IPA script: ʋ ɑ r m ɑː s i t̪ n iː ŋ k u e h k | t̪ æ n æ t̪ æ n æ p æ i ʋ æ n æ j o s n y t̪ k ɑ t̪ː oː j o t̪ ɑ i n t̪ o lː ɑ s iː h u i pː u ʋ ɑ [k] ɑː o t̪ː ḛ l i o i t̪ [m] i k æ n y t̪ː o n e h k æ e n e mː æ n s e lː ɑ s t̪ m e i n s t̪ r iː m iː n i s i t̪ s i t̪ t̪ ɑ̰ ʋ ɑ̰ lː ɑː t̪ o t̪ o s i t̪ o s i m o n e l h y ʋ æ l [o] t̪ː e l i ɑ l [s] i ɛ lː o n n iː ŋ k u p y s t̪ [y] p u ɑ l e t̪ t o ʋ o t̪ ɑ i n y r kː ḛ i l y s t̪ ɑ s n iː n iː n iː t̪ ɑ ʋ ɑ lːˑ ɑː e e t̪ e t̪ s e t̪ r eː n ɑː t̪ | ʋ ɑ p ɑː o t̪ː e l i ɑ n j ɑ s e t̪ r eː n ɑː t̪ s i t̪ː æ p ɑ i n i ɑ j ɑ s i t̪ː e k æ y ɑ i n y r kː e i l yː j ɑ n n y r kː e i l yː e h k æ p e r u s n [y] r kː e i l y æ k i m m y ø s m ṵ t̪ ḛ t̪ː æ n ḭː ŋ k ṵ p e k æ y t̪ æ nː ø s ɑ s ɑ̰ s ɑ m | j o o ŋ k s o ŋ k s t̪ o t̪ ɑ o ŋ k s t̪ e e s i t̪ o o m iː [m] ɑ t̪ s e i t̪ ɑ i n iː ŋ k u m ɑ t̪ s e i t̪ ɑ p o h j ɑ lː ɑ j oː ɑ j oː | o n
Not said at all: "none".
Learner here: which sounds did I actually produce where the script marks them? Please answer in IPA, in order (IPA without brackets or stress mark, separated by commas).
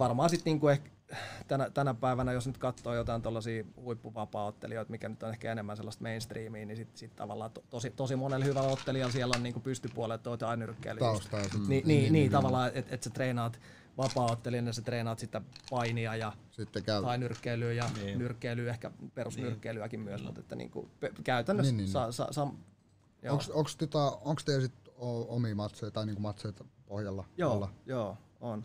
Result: p, m, o, s, y, y, m